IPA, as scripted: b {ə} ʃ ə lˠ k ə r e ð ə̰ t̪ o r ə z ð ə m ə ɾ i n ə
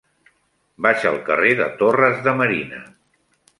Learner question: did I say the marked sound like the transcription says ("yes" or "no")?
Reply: no